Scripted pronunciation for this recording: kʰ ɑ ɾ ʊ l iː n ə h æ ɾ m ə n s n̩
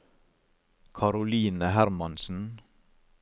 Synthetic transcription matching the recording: kʰ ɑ ɾ ʊ l iː n ə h æ ɾ m ɑ n s n̩